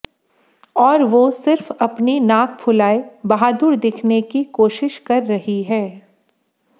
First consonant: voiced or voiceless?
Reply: voiced